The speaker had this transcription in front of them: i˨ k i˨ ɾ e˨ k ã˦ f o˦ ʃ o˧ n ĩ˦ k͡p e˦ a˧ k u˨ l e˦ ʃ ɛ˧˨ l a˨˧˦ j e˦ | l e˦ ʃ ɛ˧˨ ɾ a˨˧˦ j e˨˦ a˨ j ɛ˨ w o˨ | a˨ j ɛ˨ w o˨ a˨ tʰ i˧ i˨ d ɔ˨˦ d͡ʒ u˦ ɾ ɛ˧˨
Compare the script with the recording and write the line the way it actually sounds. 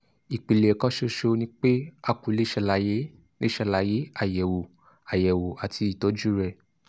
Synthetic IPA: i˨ k͡p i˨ l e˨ k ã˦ ʃ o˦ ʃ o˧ n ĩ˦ k͡p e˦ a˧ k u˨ l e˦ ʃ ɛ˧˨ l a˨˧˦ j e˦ | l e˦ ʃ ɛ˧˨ l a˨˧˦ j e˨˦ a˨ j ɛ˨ w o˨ | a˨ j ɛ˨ w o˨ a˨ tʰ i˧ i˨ t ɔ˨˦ d͡ʒ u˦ ɾ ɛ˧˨